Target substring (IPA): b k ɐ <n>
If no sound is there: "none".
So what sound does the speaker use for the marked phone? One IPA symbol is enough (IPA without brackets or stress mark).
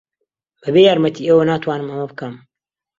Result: m